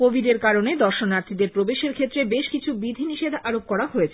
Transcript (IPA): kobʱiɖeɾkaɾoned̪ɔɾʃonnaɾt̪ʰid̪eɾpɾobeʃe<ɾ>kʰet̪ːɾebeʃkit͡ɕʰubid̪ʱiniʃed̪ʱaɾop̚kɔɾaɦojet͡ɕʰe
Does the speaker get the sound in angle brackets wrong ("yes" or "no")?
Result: no